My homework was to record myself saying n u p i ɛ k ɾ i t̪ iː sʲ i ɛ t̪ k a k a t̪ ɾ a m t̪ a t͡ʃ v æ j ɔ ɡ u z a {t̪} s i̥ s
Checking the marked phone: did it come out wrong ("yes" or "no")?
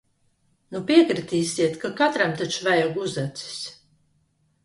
no